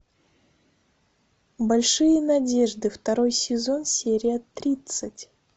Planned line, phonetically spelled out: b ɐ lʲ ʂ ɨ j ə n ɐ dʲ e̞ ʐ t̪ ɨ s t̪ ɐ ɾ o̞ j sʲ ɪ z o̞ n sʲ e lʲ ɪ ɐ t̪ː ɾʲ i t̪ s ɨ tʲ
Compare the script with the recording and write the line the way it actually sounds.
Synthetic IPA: b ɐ lʲ ʂ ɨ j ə n ɐ dʲ e̞ ʐ d̪ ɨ f t̪ ɐ ɾ o̞ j sʲ ɪ z o̞ n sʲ e ɾʲ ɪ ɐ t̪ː ɾʲ i t̪ s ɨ tʲ